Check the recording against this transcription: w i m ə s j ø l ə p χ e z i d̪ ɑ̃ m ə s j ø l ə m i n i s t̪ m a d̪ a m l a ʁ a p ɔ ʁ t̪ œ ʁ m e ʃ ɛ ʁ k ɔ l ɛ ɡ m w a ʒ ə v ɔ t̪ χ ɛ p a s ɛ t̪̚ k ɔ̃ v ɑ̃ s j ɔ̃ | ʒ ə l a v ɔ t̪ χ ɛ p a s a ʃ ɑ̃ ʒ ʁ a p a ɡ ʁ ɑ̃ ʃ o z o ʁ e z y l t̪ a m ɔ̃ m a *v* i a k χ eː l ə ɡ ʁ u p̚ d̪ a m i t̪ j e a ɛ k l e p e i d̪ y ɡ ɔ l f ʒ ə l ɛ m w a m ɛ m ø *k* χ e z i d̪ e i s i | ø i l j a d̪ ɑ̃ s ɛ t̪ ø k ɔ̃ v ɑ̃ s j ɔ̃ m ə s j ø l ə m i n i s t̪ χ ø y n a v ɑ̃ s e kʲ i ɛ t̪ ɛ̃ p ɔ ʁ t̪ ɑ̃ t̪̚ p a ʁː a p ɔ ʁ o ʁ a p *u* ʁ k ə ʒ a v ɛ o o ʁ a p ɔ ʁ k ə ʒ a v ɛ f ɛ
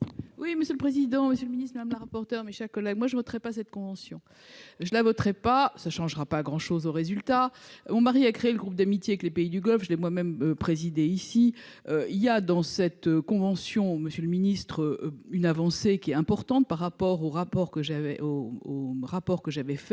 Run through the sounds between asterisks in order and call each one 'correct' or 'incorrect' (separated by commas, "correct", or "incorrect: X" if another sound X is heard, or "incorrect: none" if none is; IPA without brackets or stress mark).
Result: incorrect: ʁ, incorrect: p, incorrect: ɔ